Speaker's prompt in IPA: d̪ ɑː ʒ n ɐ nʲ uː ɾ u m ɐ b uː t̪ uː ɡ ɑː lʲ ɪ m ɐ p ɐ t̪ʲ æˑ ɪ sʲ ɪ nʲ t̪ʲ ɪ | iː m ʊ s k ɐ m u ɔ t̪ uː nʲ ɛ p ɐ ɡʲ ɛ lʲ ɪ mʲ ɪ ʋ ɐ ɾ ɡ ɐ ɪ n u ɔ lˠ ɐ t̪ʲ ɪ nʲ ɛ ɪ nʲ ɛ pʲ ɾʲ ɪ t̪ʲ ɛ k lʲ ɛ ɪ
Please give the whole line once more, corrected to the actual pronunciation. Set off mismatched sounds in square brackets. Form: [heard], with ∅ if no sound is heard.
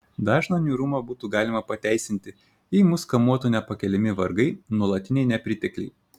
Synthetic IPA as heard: d̪ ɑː ʒ n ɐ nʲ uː ɾ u m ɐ b uː t̪ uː ɡ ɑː lʲ ɪ m ɐ p ɐ t̪ʲ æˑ ɪ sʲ ɪ nʲ t̪ʲ ɪ | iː m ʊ s k ɐ m u ɔ t̪ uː nʲ ɛ p ɐ [kʲ] ɛ lʲ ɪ mʲ ɪ ʋ ɐ ɾ ɡ ɐ ɪ n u ɔ lˠ ɐ t̪ʲ ɪ nʲ ɛ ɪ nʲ ɛ pʲ ɾʲ ɪ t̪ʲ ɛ k lʲ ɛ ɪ